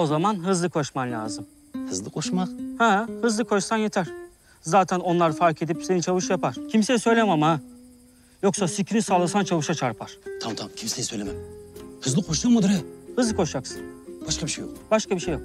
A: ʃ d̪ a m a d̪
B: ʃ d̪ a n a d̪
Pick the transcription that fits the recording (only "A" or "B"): A